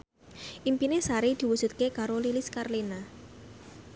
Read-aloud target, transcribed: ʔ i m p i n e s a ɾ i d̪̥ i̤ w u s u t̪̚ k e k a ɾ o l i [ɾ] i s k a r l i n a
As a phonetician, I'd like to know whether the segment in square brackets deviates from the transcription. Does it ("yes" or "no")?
yes